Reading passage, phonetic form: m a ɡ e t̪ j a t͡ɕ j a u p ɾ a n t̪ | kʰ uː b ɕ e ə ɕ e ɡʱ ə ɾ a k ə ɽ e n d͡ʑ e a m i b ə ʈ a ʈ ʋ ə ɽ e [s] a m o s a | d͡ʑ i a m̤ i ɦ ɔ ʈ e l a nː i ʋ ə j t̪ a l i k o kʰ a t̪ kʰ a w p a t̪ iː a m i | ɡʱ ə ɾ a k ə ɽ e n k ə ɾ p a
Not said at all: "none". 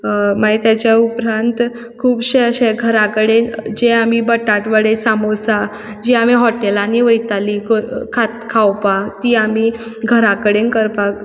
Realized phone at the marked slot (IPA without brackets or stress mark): s